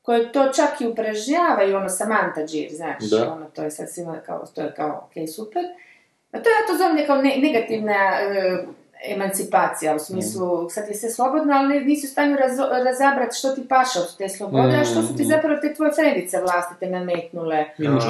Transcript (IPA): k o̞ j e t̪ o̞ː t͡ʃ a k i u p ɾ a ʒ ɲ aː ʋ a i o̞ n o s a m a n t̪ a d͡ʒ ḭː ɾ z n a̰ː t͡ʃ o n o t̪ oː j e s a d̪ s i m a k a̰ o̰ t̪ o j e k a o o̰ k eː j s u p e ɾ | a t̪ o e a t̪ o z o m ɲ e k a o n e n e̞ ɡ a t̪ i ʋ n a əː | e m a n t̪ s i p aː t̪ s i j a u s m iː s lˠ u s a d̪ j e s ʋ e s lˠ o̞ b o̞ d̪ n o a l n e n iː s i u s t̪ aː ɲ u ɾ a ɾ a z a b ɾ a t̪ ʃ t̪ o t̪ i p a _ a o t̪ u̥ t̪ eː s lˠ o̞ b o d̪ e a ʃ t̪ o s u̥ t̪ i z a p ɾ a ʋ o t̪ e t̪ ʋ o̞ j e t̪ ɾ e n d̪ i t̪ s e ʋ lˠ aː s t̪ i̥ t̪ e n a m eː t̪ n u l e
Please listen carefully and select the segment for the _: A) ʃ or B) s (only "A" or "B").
A